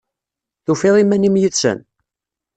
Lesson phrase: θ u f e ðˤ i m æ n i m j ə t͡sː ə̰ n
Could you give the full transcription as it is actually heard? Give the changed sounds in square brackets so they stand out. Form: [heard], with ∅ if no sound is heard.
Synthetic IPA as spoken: θ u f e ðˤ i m æ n i m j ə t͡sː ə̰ n